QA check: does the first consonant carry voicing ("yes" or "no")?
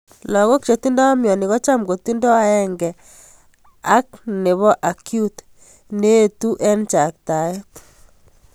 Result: yes